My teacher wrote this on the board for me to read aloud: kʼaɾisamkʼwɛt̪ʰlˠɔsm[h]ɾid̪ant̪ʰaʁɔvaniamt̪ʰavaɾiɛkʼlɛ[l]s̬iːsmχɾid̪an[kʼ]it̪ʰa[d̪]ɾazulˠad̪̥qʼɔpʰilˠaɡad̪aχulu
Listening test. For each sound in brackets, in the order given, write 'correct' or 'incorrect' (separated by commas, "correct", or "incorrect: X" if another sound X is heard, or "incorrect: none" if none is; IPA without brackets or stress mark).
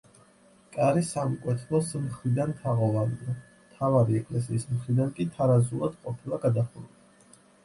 incorrect: χ, incorrect: none, correct, incorrect: none